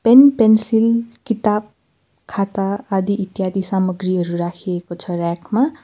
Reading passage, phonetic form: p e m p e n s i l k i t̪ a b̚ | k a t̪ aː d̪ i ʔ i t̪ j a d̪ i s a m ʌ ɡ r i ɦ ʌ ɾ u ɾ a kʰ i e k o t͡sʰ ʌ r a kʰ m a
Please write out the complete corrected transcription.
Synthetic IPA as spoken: p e n p e n s i l k i t̪ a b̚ | kʰ a t̪ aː d̪ i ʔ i t̪ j a d̪ i s a m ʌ ɡ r i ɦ ʌ ɾ u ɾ a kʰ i e k o t͡sʰ ʌ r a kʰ m a